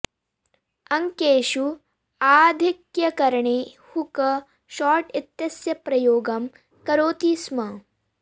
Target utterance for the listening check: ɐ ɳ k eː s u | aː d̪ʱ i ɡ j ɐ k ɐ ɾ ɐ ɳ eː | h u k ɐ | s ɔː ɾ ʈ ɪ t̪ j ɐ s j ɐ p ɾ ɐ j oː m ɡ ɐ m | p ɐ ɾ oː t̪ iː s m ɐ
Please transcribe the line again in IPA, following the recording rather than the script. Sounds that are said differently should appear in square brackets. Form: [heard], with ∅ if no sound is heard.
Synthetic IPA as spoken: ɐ [ŋ] k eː [ʃ] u | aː d̪ʱ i [k] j ɐ k ɐ ɾ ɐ ɳ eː | h u k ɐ | [ʃ] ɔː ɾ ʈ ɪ t̪ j ɐ s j ɐ p ɾ ɐ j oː [∅] ɡ ɐ m | [k] ɐ ɾ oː t̪ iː s m ɐ

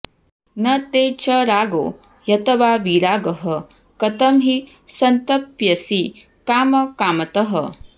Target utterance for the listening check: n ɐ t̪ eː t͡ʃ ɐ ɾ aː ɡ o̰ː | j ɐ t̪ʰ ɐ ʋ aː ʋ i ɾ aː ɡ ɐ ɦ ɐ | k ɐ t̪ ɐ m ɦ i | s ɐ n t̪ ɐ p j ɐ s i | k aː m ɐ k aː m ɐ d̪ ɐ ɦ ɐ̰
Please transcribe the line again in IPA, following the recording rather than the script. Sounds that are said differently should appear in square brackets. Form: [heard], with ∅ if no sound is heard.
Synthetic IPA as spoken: n ɐ t̪ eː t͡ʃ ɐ ɾ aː ɡ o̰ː | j ɐ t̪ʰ ɐ ʋ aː ʋ i ɾ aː ɡ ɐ ɦ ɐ | k ɐ t̪ ɐ m ɦ i | s ɐ n t̪ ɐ p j ɐ s i | k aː m ɐ k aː m ɐ [t̪] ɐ ɦ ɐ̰

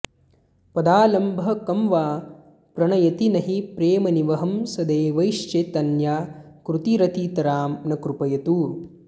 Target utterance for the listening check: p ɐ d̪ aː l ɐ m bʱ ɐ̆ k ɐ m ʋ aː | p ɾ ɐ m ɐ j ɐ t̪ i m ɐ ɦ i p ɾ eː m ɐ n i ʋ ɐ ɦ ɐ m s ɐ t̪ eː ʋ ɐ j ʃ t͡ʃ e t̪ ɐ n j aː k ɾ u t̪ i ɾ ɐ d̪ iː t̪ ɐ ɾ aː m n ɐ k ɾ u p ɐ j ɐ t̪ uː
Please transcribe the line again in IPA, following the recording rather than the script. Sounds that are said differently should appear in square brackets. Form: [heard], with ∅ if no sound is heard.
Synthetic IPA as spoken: p ɐ d̪ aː l ɐ m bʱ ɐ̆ k ɐ m ʋ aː | p ɾ ɐ [ɳ] ɐ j ɐ t̪ i [n] ɐ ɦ i p ɾ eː m ɐ n i ʋ ɐ ɦ ɐ m s ɐ [d̪] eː ʋ ɐ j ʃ t͡ʃ e t̪ ɐ n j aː k ɾ u t̪ i ɾ ɐ [t̪] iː t̪ ɐ ɾ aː m n ɐ k ɾ u p ɐ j ɐ t̪ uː

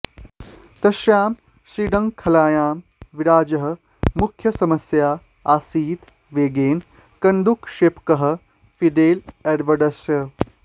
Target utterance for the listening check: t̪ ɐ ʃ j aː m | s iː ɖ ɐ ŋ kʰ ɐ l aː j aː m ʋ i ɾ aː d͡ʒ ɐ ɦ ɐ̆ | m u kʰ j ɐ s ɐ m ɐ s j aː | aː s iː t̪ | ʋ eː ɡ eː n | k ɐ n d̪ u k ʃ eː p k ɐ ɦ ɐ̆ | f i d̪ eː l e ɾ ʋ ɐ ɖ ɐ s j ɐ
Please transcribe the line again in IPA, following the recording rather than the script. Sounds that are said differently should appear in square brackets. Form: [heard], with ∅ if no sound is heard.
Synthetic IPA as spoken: t̪ ɐ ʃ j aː m | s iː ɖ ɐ ŋ kʰ ɐ l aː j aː m ʋ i ɾ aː d͡ʒ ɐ ɦ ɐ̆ | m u kʰ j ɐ s ɐ m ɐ s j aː | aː s iː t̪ | ʋ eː ɡ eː n | k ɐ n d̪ u k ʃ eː p k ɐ ɦ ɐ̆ | f i d̪ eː l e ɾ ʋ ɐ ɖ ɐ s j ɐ

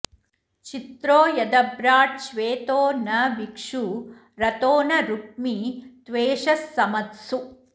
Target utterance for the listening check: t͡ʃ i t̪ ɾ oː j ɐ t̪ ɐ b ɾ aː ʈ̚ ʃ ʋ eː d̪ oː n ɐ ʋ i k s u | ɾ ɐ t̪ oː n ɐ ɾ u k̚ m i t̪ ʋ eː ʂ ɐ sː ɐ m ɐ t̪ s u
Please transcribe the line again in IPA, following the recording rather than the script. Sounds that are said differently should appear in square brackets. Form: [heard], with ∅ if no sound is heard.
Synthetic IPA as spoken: t͡ʃ i t̪ ɾ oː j ɐ [d̪] ɐ b ɾ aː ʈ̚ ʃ ʋ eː [t̪] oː n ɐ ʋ i k [ʂ] u | ɾ ɐ t̪ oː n ɐ ɾ u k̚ m i t̪ ʋ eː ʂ ɐ sː ɐ m ɐ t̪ s u

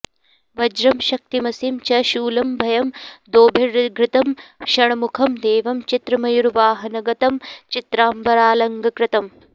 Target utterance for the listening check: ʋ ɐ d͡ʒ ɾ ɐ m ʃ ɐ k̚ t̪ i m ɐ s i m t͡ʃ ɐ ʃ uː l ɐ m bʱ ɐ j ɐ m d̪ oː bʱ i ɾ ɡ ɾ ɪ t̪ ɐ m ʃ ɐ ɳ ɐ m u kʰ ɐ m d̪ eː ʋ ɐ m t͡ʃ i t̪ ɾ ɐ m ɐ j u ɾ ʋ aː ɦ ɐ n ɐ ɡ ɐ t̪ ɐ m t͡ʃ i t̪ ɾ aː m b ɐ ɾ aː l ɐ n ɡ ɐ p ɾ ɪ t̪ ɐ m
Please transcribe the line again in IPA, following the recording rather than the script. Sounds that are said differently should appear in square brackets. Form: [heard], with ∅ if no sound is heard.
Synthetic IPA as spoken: ʋ ɐ d͡ʒ ɾ ɐ m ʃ ɐ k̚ t̪ i m ɐ s i m t͡ʃ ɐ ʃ uː l ɐ m bʱ ɐ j ɐ m d̪ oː bʱ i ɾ ɡ ɾ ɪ t̪ ɐ m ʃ ɐ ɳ ɐ m u kʰ ɐ m d̪ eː ʋ ɐ m t͡ʃ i t̪ ɾ ɐ m ɐ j u ɾ ʋ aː ɦ ɐ n ɐ ɡ ɐ t̪ ɐ m t͡ʃ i t̪ ɾ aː m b ɐ ɾ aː l ɐ [ŋ] ɡ ɐ [k] ɾ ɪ t̪ ɐ m

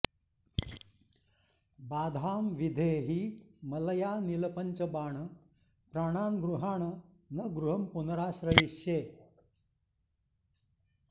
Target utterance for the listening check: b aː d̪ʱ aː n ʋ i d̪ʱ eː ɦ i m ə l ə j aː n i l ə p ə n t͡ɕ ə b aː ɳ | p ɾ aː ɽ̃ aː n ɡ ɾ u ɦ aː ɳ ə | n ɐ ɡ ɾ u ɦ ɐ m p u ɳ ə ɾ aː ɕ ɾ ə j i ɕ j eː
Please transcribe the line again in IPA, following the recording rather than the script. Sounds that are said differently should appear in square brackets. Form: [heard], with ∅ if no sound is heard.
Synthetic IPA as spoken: b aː d̪ʱ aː [m] ʋ i d̪ʱ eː ɦ i m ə l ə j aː n i l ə p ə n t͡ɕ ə b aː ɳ | p ɾ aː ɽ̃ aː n ɡ ɾ u ɦ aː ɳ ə | n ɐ ɡ ɾ u ɦ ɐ m p u [n] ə ɾ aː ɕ ɾ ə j i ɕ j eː

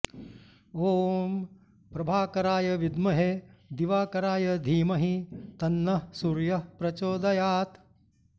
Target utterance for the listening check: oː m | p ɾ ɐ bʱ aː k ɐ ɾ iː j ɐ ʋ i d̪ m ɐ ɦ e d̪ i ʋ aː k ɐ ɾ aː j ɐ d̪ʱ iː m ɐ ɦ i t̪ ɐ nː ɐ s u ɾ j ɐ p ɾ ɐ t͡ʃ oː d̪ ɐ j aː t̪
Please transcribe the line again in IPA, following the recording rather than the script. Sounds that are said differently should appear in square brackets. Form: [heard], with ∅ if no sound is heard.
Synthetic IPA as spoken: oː m | p ɾ ɐ bʱ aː k ɐ ɾ [aː] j ɐ ʋ i d̪ m ɐ ɦ e d̪ i ʋ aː k ɐ ɾ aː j ɐ d̪ʱ iː m ɐ ɦ i t̪ ɐ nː ɐ s u ɾ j ɐ p ɾ ɐ t͡ʃ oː d̪ ɐ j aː t̪

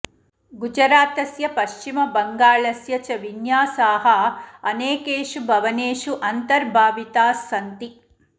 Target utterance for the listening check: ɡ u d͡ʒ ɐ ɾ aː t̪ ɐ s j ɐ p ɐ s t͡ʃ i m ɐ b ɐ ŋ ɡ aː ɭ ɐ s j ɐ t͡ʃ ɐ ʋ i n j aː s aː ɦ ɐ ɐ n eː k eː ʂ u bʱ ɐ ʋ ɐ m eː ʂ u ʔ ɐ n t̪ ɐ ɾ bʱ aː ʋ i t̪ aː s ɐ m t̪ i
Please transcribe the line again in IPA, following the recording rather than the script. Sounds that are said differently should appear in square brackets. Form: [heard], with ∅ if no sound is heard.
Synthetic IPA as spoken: ɡ u d͡ʒ ɐ ɾ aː t̪ ɐ s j ɐ p ɐ [ʃ] t͡ʃ i m ɐ b ɐ ŋ ɡ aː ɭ ɐ s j ɐ t͡ʃ ɐ ʋ i n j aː s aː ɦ ɐ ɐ n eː k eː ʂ u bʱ ɐ ʋ ɐ [n] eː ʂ u ʔ ɐ n t̪ ɐ ɾ bʱ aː ʋ i t̪ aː s ɐ [n] t̪ i

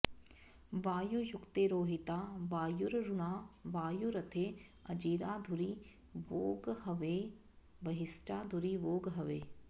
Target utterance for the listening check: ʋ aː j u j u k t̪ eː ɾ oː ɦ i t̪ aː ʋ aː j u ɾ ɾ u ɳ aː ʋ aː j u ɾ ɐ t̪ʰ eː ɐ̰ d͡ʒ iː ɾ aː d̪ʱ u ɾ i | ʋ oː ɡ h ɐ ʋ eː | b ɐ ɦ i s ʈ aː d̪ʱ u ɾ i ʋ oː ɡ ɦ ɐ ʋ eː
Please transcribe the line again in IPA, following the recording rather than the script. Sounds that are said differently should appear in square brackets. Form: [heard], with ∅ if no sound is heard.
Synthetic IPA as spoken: ʋ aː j u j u k t̪ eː ɾ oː ɦ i t̪ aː ʋ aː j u ɾ ɾ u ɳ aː ʋ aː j u ɾ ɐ t̪ʰ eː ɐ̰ d͡ʒ iː ɾ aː d̪ʱ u ɾ i | ʋ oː ɡ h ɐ ʋ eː | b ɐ ɦ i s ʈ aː d̪ʱ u ɾ i ʋ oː ɡ ɦ ɐ ʋ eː

